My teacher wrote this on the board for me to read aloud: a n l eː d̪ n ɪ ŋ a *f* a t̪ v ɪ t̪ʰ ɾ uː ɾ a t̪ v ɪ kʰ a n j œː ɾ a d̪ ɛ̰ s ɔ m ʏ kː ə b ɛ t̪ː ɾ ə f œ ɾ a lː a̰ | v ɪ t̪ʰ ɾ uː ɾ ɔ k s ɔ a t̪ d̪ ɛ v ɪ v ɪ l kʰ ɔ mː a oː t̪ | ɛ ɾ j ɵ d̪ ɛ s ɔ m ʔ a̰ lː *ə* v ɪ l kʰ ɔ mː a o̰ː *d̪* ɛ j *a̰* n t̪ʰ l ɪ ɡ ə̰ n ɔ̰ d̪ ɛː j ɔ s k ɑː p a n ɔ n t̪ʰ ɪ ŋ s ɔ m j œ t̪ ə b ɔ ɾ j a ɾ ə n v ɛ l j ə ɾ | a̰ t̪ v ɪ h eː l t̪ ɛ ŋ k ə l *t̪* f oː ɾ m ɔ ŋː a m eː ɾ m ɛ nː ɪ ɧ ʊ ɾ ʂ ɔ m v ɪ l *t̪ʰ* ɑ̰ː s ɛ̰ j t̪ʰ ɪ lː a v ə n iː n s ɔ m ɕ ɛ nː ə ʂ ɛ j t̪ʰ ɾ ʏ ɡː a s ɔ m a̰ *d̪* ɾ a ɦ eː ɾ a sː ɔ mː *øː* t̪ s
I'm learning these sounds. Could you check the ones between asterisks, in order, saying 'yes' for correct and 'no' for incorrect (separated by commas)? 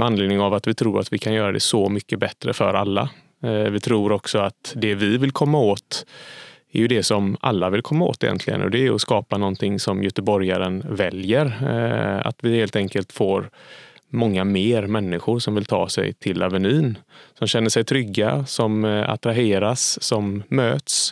no, no, no, no, yes, yes, no, yes